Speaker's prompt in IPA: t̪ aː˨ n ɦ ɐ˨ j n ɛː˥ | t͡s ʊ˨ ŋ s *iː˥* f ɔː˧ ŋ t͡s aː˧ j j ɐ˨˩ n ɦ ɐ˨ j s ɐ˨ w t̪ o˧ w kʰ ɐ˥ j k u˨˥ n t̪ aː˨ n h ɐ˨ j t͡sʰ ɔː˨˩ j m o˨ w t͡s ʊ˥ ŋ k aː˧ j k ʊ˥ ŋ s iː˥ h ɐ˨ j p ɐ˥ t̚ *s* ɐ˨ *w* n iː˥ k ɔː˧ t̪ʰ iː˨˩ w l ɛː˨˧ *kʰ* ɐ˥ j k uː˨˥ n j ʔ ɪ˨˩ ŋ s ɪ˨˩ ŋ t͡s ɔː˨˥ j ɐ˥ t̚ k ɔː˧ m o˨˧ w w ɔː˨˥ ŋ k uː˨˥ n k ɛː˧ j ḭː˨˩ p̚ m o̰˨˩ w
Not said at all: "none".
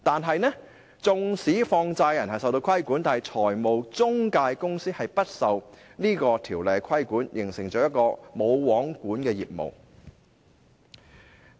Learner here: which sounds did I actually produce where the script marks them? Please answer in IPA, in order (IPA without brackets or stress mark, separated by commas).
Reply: iː˨˥, s, w, kʰ